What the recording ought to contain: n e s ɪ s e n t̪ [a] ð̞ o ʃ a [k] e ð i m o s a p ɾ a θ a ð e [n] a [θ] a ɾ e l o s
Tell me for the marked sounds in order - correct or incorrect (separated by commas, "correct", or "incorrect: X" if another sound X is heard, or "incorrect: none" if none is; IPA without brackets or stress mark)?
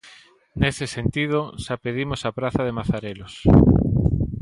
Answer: incorrect: i, incorrect: p, incorrect: m, correct